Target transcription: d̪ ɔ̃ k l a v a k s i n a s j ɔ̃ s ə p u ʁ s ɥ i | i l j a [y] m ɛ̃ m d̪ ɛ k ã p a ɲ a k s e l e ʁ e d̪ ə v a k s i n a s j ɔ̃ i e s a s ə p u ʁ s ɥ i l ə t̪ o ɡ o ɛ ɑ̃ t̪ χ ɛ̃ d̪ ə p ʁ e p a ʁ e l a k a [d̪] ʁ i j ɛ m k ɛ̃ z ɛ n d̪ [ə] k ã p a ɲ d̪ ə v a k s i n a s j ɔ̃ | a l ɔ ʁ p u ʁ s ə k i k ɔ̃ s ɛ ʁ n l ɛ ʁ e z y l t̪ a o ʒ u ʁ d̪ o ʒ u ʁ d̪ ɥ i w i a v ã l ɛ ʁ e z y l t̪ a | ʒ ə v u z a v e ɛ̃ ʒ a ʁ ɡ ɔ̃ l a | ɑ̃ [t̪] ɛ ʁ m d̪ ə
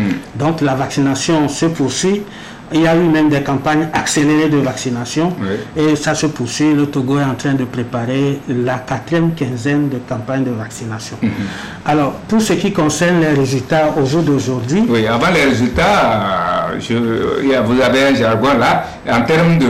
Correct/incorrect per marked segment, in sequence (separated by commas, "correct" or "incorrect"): correct, incorrect, correct, correct